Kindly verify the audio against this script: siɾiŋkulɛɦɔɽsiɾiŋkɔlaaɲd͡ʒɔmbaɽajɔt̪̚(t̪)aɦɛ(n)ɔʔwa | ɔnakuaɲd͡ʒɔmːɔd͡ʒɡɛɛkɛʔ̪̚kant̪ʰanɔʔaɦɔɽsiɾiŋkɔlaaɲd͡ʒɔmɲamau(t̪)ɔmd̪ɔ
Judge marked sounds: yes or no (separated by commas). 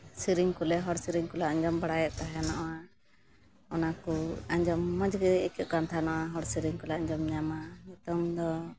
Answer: yes, yes, yes